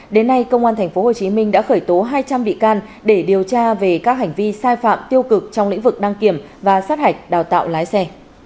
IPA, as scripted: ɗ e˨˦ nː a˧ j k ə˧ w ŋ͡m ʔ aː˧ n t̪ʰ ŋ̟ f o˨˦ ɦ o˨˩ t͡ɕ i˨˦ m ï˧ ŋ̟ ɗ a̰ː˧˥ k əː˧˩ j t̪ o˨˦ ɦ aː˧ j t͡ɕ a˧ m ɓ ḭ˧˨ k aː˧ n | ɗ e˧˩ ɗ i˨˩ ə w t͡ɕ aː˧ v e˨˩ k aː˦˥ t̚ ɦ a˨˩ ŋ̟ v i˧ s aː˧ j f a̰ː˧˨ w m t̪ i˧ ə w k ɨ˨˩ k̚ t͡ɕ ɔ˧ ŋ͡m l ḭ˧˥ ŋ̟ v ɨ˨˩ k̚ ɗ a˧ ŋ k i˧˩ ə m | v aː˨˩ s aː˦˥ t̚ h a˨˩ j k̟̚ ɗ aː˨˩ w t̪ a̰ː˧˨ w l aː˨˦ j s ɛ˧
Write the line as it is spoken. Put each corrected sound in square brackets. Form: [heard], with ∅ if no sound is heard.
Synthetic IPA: ɗ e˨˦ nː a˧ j k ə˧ w ŋ͡m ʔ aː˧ n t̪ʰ ŋ̟ f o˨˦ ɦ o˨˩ t͡ɕ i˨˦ m ï˧ ŋ̟ ɗ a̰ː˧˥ [x] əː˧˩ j t̪ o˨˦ ɦ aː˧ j t͡ɕ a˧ m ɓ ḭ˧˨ k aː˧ n | ɗ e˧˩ ɗ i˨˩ ə w t͡ɕ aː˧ v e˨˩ k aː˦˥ [k̚] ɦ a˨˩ ŋ̟ v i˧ s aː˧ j f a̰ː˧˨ [∅] m t̪ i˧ ə w k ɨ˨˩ k̚ t͡ɕ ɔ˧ ŋ͡m l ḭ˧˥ ŋ̟ v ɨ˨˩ k̚ ɗ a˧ ŋ k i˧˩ ə m | v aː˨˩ s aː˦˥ t̚ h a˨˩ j k̟̚ ɗ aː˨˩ w t̪ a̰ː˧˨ w l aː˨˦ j s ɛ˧